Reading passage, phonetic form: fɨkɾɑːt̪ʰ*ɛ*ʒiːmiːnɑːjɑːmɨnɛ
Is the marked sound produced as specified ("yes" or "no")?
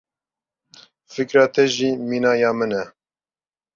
yes